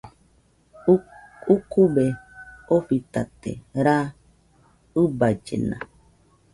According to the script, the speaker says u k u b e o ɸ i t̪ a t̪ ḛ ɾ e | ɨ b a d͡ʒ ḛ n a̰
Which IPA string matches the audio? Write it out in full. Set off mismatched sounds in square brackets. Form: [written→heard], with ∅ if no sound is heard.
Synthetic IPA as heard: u k u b e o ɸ i t̪ a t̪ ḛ ɾ [e→a] | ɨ b a d͡ʒ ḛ n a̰

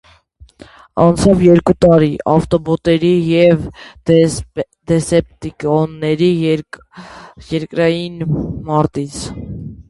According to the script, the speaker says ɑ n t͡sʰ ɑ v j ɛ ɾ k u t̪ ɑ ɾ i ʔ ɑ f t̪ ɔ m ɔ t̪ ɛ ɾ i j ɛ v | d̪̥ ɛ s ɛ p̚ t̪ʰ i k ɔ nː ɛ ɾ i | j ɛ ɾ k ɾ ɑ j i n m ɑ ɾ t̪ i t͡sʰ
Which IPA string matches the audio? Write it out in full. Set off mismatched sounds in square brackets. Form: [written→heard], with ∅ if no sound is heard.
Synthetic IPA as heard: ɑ n t͡sʰ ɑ v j ɛ ɾ k u t̪ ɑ ɾ i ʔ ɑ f t̪ ɔ [m→b] ɔ t̪ ɛ ɾ i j ɛ v | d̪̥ ɛ s ɛ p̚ [t̪ʰ→t̪] i k ɔ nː ɛ ɾ i | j ɛ ɾ k ɾ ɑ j i n m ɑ ɾ t̪ i t͡sʰ

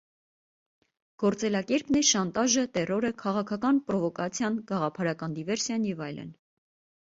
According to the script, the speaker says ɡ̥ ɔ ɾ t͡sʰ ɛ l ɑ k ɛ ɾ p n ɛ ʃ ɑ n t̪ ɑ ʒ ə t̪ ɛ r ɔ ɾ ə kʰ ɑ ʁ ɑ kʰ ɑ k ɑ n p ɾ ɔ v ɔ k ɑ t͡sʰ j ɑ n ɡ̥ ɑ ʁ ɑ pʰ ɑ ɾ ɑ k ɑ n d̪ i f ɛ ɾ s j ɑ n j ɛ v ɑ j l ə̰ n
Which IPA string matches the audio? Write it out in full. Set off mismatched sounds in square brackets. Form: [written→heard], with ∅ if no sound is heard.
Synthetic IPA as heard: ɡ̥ ɔ ɾ [t͡sʰ→t͡s] ɛ l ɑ k ɛ ɾ p n ɛ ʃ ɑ n t̪ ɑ ʒ ə t̪ ɛ r ɔ ɾ ə kʰ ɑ ʁ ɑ kʰ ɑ k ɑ n p ɾ ɔ v ɔ k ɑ t͡sʰ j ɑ n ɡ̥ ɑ ʁ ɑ pʰ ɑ ɾ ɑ k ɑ n d̪ i [f→v] ɛ ɾ s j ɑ n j ɛ v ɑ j l ə̰ n

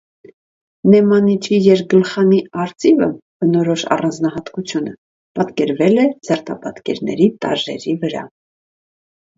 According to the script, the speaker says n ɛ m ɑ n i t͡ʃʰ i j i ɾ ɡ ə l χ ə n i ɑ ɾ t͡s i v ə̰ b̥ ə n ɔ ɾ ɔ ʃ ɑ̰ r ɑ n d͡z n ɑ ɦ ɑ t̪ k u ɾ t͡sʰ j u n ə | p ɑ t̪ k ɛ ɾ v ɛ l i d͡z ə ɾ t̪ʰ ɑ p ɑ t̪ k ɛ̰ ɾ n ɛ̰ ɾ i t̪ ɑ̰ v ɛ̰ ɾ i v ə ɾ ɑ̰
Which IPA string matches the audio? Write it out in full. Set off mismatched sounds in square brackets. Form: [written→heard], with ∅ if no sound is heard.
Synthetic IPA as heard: n ɛ m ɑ n i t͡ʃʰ i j [i→ɛ] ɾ ɡ ə l χ [ə→ɑ] n i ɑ ɾ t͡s i v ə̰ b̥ ə n ɔ ɾ ɔ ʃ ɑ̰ r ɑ n d͡z n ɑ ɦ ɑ t̪ k u [ɾ→∅] t͡sʰ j u n ə | p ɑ t̪ k ɛ ɾ v ɛ l [i→ɛ] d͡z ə ɾ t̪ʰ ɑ p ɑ t̪ k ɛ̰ ɾ n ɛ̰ ɾ i t̪ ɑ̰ [v→ʒ] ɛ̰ ɾ i v ə ɾ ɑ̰

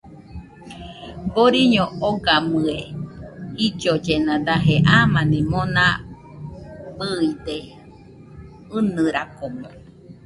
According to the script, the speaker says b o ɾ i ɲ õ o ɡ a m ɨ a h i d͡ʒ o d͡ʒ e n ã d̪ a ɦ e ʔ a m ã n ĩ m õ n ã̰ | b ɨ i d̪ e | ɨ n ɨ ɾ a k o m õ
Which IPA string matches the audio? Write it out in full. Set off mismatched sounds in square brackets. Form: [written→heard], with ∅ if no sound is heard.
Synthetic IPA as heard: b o ɾ i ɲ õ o ɡ a m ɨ [a→e] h i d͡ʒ o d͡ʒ e n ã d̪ a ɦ e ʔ a m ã n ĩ m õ n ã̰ | b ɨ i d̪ e | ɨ n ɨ ɾ a k o m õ

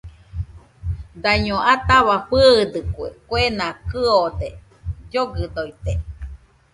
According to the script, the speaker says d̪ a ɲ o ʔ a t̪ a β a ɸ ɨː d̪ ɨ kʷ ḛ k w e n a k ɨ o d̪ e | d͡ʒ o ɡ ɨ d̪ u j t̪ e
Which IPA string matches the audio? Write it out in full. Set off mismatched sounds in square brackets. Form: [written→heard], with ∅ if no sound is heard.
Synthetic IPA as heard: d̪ a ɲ o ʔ a t̪ a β a ɸ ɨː d̪ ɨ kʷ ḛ k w e n a k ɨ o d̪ e | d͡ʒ o ɡ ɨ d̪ [u→o] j t̪ e

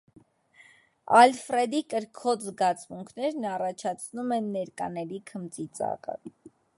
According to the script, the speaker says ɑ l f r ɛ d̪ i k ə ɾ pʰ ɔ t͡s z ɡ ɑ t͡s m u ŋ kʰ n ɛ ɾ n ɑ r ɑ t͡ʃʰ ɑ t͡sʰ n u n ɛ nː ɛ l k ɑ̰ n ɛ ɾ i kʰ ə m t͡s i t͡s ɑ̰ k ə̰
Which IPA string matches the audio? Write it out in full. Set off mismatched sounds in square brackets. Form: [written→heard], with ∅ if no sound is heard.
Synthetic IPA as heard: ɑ l f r ɛ d̪ i k ə ɾ [pʰ→kʰ] ɔ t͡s z ɡ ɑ t͡s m u ŋ kʰ n ɛ ɾ n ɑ r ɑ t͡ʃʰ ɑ t͡sʰ n u [n→m] ɛ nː ɛ [l→ɾ] k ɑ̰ n ɛ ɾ i kʰ ə m t͡s i t͡s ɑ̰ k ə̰

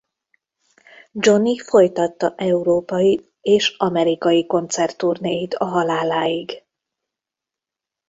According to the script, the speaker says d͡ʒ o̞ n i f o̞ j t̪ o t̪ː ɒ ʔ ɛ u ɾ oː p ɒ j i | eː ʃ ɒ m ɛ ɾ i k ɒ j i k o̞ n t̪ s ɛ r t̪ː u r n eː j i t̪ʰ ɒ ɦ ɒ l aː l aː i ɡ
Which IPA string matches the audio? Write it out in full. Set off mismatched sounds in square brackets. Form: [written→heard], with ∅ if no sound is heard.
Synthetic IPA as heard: d͡ʒ o̞ n i f o̞ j t̪ [o→ɒ] t̪ː ɒ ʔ ɛ u ɾ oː p ɒ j i | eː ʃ ɒ m ɛ ɾ i k ɒ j i k o̞ n t̪ s ɛ r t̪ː u r n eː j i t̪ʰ ɒ ɦ ɒ l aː l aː i ɡ

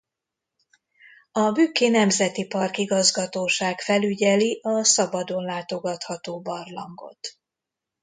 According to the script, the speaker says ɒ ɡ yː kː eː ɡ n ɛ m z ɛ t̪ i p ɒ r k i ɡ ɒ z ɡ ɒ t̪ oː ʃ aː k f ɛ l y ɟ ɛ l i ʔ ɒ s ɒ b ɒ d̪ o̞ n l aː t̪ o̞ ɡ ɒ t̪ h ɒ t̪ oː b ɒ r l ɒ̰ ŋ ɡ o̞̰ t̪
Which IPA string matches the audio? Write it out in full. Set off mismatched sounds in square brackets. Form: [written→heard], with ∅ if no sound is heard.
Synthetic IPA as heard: ɒ [ɡ→b] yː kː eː [ɡ→∅] n ɛ m z ɛ t̪ i p ɒ r k i ɡ ɒ z ɡ ɒ t̪ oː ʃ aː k f ɛ l y ɟ ɛ l i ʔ ɒ s ɒ b ɒ d̪ o̞ n l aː t̪ o̞ ɡ ɒ t̪ h ɒ t̪ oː b ɒ r l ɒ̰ ŋ ɡ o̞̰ t̪

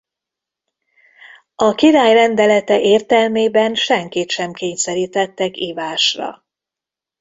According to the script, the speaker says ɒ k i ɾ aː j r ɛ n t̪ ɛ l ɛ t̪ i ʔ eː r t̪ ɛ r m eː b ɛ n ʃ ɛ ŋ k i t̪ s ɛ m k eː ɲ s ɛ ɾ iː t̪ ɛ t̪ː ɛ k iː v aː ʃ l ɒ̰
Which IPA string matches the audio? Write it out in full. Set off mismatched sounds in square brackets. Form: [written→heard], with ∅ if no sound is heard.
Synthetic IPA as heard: ɒ k i ɾ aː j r ɛ n [t̪→d̪] ɛ l ɛ t̪ [i→ɛ] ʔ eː r t̪ ɛ [r→l] m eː b ɛ n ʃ ɛ ŋ k i t̪ [s→ʃ] ɛ m k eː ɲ s ɛ ɾ iː t̪ ɛ t̪ː ɛ k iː v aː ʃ [l→r] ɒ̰

